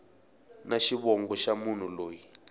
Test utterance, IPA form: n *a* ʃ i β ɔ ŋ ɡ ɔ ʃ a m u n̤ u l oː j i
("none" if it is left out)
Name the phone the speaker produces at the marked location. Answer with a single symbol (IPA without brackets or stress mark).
a